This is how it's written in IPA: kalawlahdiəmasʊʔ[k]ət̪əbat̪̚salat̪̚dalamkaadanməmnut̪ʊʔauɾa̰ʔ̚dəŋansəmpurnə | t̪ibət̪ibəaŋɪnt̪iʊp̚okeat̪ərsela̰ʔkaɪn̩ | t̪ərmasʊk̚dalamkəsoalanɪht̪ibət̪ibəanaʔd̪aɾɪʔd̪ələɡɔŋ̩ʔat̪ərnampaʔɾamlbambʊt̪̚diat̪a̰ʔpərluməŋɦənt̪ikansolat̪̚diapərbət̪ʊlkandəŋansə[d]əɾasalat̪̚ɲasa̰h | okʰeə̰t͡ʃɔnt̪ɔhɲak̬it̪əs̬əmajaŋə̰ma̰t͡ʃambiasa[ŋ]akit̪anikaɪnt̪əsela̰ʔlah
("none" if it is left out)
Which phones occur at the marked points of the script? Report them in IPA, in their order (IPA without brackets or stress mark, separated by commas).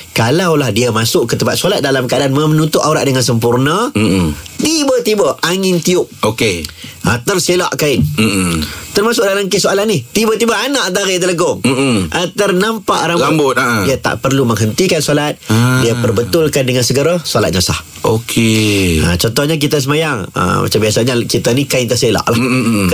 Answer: k, ɡ, ɲ